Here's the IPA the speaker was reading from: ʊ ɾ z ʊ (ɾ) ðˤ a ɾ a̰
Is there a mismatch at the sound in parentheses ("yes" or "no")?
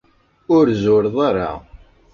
no